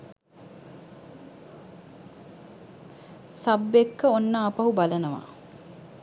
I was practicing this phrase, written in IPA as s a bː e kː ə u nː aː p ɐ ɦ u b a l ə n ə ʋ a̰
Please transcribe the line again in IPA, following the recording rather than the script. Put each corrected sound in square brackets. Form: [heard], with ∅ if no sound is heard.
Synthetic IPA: s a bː e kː ə [o] nː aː p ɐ ɦ u b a l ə n ə ʋ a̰